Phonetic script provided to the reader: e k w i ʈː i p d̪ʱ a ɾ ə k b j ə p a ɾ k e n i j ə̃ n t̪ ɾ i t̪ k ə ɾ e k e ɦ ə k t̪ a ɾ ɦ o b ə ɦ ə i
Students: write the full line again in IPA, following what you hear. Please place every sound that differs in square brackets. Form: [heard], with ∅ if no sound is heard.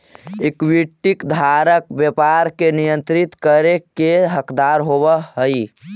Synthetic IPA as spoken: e k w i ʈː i [k] d̪ʱ a ɾ ə k b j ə p a ɾ k e n i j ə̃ n t̪ ɾ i t̪ k ə ɾ e k e ɦ ə k [d̪] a ɾ ɦ o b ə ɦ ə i